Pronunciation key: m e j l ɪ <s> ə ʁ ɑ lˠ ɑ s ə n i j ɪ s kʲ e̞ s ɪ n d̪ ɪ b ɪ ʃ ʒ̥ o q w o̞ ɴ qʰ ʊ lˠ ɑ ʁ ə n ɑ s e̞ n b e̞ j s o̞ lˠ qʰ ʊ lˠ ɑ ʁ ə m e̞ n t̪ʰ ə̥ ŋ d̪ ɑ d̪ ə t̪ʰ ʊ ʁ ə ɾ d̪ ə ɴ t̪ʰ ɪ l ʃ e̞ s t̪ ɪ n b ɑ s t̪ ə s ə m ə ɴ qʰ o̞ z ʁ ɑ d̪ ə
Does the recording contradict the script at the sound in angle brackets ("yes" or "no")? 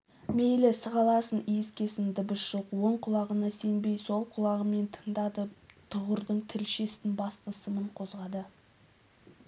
no